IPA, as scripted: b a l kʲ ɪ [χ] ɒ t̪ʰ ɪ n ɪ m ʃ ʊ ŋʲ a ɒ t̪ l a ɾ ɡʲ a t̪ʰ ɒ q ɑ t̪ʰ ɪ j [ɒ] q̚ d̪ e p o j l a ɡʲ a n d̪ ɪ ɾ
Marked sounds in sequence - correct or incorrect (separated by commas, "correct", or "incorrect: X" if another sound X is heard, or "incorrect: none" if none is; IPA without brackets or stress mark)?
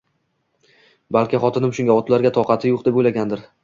correct, incorrect: o